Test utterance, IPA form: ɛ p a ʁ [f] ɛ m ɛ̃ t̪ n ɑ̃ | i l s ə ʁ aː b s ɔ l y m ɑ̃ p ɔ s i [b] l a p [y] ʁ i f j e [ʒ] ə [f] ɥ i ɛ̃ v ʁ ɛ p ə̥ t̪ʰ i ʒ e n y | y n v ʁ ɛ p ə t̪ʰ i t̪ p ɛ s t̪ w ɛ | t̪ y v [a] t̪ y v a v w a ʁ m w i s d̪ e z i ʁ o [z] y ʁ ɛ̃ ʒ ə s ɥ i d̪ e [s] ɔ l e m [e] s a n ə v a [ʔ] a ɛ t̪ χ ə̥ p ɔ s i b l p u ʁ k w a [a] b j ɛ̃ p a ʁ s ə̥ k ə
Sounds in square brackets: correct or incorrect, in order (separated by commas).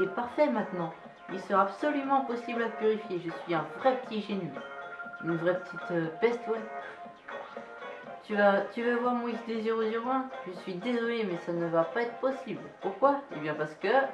correct, correct, correct, correct, incorrect, correct, correct, incorrect, incorrect, incorrect, incorrect